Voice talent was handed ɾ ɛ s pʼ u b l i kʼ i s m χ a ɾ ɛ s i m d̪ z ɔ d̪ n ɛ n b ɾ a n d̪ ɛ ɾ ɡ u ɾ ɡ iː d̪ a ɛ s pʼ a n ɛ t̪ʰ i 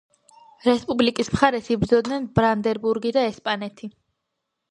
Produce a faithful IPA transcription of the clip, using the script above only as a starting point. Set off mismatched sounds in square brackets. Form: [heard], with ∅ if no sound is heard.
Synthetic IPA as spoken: ɾ ɛ s pʼ u b l i kʼ i s m χ a ɾ ɛ s i [b] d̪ z ɔ d̪ n ɛ n b ɾ a n d̪ ɛ ɾ [b] u ɾ ɡ [i] d̪ a ɛ s pʼ a n ɛ t̪ʰ i